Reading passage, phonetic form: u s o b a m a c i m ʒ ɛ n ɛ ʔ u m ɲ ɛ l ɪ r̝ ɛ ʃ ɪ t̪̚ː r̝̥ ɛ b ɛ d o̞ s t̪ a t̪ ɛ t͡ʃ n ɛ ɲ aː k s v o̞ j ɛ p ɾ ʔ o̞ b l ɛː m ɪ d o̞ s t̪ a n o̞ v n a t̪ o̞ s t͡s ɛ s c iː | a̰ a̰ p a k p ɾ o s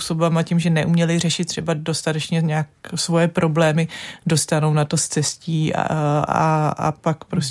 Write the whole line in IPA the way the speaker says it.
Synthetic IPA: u s o b a m a c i m ʒ ɛ n ɛ ʔ u m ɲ ɛ l ɪ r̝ ɛ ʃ ɪ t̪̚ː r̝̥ ɛ b a d o̞ s t̪ a t̪ ɛ t͡ʃ ɲ ɛ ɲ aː k s v o̞ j ɛ p ɾ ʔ o̞ b l ɛː m ɪ d o̞ s t̪ a n o̞ w n a t̪ o̞ s t͡s ɛ s c iː | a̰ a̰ p a k p ɾ o s